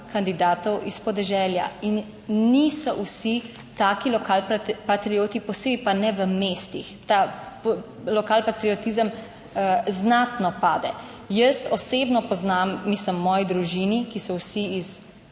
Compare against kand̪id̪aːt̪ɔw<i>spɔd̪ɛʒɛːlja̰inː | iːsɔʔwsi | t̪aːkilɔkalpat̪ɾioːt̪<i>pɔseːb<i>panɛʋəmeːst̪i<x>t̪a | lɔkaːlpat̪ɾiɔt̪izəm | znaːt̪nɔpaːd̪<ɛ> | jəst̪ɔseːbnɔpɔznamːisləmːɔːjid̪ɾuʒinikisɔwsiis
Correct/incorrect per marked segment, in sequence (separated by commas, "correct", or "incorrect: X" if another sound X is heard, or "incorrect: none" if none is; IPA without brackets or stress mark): correct, correct, correct, correct, correct